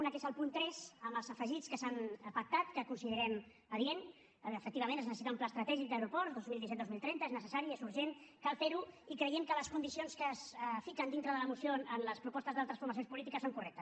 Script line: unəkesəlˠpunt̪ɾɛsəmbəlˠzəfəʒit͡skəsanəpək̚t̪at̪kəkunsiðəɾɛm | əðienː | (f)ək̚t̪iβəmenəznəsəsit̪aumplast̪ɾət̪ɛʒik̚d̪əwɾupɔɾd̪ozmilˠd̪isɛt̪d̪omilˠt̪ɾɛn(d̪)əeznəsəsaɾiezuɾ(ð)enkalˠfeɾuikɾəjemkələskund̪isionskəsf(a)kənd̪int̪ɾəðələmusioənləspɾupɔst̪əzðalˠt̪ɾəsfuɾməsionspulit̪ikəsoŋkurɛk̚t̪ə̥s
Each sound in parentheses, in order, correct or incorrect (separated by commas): correct, incorrect, incorrect, incorrect